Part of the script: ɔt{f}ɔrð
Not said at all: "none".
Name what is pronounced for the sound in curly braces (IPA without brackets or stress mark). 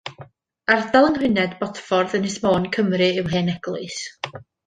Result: f